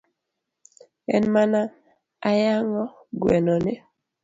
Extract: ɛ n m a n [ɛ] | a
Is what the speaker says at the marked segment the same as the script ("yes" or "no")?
no